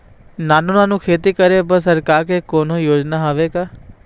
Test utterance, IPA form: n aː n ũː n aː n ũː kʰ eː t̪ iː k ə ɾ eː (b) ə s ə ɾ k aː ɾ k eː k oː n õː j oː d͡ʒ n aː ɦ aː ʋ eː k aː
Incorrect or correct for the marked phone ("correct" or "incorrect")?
correct